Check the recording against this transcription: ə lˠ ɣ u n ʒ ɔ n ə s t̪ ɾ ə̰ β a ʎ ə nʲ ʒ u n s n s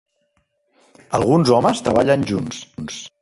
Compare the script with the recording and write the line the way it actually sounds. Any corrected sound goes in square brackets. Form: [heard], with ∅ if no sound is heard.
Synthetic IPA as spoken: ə lˠ ɣ u n [z] ɔ [m] ə s t̪ ɾ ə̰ β a ʎ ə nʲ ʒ u n s n s

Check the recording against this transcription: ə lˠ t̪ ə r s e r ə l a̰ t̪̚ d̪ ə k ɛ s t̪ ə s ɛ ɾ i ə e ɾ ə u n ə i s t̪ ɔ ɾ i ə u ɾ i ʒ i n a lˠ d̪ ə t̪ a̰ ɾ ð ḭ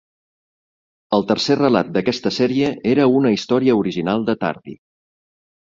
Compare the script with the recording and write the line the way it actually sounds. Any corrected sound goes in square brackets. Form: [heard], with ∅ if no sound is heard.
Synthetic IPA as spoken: ə lˠ t̪ ə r s e r ə l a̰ t̪̚ d̪ ə k ɛ s t̪ ə s ɛ ɾ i ə e ɾ ə u n ə i s t̪ ɔ ɾ i ə u ɾ i ʒ i n a lˠ d̪ ə t̪ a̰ ɾ ð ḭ

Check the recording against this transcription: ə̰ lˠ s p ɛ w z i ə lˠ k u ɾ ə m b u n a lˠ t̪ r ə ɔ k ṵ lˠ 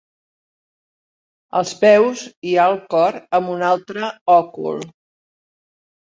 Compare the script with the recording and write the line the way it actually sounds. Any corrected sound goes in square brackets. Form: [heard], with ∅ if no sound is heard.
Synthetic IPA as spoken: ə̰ lˠ s p ɛ w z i [a] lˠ k [ɔ] ɾ ə m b u n a lˠ t̪ [ɾ] ə ɔ k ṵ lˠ

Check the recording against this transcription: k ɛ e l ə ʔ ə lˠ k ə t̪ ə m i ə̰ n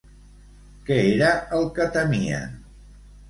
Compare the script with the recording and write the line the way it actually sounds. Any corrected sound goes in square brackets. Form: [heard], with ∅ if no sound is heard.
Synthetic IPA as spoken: k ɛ e [ɾ] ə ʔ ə lˠ k ə t̪ ə m i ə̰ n

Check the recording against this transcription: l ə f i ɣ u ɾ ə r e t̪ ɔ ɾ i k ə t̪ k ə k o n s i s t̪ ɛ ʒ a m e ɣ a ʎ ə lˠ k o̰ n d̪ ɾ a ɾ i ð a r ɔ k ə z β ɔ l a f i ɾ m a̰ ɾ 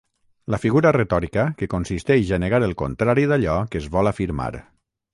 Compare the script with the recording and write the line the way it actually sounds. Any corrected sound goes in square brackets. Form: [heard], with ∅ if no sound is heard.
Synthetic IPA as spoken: l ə f i ɣ u ɾ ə r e t̪ ɔ ɾ i k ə [∅] k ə k o n s i s t̪ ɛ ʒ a [n] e ɣ a [ɾ] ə lˠ k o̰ n [t̪] ɾ a ɾ i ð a [ʎ] ɔ k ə z β ɔ l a f i ɾ m a̰ ɾ

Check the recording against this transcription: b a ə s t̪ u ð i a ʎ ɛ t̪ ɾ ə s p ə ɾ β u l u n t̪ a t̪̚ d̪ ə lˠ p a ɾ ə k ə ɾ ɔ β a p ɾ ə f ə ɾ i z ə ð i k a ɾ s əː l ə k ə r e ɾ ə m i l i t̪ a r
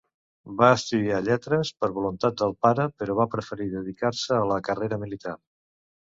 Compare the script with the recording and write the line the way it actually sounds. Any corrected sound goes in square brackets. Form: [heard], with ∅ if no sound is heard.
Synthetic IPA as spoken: b a ə s t̪ u ð i a ʎ ɛ t̪ ɾ ə s p ə ɾ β u l u n t̪ a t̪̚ d̪ ə lˠ p a ɾ ə [p] ə ɾ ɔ β a p ɾ ə f ə ɾ i [ð] ə ð i k a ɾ s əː l ə k ə r e ɾ ə m i l i t̪ a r

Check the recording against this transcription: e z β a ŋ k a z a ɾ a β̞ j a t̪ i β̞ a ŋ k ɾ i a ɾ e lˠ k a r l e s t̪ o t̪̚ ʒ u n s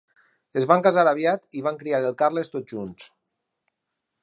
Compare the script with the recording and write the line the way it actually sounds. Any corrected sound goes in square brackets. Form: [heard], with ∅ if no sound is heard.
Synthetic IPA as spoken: e z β a ŋ k a z a ɾ a β̞ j a t̪ i β̞ a ŋ k ɾ i a ɾ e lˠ k a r l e s t̪ o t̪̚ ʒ u n s

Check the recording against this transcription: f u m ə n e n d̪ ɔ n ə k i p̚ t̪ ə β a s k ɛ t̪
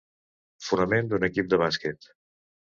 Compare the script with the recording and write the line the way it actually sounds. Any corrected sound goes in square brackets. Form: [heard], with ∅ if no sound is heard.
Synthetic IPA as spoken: f u [n] ə [m] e n d̪ [u] n ə k i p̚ [d̪] ə β a s k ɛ t̪

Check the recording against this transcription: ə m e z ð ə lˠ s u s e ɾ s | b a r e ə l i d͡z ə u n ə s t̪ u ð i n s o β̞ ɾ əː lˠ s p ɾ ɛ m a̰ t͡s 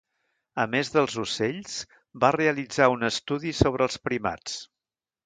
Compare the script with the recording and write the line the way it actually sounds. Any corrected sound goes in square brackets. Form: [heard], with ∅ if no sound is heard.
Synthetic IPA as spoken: ə m e z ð ə lˠ [z] u s e [ʎ] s | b a r e ə l i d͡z [a] u n ə s t̪ u ð i [∅] s o β̞ ɾ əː lˠ s p ɾ [i] m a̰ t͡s

